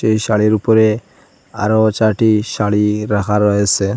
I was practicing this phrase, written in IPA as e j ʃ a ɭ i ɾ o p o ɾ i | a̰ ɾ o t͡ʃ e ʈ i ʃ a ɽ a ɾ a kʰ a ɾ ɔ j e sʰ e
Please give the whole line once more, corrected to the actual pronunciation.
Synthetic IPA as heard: e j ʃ a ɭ i ɾ u p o ɾ e | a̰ ɾ o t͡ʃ a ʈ i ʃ a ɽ i ɾ a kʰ a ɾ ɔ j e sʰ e